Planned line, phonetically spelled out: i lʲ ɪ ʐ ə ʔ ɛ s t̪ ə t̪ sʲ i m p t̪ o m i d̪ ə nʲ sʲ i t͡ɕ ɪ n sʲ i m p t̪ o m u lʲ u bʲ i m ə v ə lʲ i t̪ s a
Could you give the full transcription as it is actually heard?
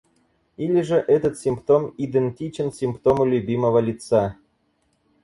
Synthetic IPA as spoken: i lʲ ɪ ʐ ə ʔ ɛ t̪ ə t̪ sʲ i m p t̪ o m i d̪ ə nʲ tʲ i t͡ɕ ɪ n sʲ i m p t̪ o m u lʲ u bʲ i m ə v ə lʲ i t̪ s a